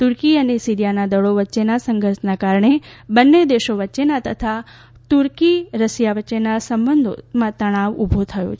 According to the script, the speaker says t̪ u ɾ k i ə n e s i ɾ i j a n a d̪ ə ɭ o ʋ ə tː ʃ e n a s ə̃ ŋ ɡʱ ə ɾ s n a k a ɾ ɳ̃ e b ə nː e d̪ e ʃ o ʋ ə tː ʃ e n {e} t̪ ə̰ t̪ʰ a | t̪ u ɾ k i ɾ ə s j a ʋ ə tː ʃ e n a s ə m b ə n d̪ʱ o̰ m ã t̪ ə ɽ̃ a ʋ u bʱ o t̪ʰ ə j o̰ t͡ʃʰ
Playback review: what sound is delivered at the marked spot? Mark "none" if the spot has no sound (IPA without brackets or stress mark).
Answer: a